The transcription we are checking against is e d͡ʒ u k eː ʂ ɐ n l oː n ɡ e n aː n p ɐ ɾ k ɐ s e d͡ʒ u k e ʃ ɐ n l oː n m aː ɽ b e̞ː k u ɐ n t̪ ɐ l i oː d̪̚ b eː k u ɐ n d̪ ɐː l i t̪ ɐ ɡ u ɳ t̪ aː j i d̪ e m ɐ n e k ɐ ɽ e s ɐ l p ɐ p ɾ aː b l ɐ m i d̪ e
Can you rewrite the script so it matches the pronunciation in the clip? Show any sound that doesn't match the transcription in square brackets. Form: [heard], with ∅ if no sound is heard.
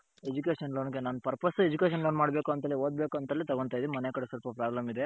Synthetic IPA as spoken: e d͡ʒ u k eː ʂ ɐ n l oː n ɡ e n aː n p ɐ ɾ [p] ɐ s e d͡ʒ u k e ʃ ɐ n l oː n m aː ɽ b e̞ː k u ɐ n t̪ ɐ l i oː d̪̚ b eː k u ɐ n [t̪] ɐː l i t̪ ɐ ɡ [o] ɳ t̪ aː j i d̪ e m ɐ n e k ɐ ɽ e s ɐ l p ɐ p ɾ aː b l ɐ m i d̪ e